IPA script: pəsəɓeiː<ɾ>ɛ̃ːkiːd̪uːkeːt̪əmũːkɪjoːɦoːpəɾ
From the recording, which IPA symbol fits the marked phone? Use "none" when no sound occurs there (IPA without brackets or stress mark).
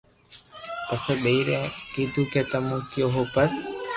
ɾ